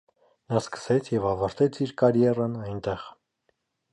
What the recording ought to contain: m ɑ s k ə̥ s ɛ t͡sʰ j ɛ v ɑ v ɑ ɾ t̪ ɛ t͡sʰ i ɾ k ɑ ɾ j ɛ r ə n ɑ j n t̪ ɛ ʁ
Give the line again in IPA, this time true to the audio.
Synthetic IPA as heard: n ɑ s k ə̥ s ɛ t͡sʰ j ɛ v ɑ v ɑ ɾ t̪ ɛ t͡sʰ i ɾ k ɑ ɾ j ɛ r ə n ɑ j n t̪ ɛ ʁ